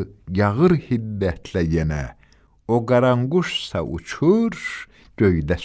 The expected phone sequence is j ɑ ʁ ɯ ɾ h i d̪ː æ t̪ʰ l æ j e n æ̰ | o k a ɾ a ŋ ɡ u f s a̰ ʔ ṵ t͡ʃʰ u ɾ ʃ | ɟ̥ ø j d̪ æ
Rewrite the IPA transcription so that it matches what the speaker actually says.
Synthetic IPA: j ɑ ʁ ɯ ɾ h i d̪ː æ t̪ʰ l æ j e n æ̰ | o ɡ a ɾ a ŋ ɡ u ʃ s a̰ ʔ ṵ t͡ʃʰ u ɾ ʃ | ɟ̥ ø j d̪ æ